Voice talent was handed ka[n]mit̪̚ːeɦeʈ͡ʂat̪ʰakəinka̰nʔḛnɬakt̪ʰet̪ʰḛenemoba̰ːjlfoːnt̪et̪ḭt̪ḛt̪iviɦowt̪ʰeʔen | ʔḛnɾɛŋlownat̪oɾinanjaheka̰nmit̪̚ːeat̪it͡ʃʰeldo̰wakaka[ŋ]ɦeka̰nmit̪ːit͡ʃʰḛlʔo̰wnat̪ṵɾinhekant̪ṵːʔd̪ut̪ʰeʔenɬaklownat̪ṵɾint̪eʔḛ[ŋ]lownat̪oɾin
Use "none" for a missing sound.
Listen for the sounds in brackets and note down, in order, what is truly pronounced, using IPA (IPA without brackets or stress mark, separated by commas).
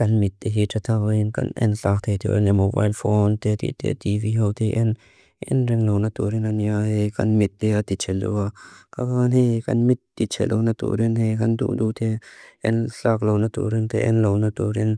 n, n, n